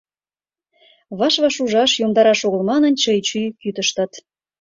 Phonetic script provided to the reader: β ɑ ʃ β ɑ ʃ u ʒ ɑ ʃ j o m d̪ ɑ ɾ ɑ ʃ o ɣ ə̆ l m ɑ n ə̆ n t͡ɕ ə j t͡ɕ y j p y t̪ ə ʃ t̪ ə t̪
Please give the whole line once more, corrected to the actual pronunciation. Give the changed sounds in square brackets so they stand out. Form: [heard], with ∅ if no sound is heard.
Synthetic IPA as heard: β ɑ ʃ β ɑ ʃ u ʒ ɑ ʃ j o m d̪ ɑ ɾ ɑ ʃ o ɣ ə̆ l m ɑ n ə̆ n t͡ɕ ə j t͡ɕ y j [k] y t̪ ə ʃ t̪ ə t̪